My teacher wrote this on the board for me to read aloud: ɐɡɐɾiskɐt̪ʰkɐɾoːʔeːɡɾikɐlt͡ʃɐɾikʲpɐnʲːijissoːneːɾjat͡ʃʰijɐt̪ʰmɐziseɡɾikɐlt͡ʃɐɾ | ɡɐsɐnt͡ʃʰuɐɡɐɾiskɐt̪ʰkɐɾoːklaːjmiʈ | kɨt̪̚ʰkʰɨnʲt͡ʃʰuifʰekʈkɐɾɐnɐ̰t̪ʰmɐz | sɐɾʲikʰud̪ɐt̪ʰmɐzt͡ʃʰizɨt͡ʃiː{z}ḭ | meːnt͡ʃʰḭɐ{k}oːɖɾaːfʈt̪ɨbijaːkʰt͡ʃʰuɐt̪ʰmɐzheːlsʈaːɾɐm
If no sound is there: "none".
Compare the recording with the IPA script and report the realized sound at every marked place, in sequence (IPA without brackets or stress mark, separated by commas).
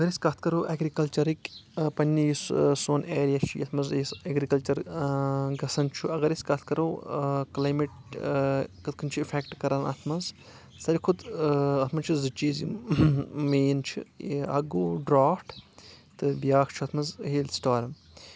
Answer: z, ɡ